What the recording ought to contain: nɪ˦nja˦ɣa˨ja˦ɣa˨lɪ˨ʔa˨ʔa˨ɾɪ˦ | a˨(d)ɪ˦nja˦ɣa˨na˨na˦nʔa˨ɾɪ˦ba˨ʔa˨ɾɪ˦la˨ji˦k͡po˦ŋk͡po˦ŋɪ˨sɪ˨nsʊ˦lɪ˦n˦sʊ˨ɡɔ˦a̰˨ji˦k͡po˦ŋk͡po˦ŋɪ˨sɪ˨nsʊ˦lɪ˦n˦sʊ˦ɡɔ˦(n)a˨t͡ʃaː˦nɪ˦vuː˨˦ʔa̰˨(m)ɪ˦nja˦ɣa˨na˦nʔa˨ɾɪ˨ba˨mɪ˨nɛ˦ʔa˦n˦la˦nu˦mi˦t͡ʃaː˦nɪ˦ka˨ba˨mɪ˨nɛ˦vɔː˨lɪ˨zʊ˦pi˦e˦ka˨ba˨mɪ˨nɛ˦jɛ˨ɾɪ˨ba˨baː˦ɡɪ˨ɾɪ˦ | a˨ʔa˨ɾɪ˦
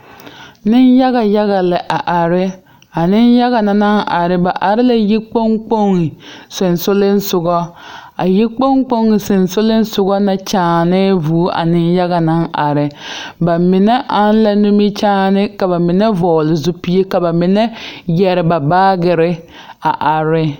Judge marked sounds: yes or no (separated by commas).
no, yes, no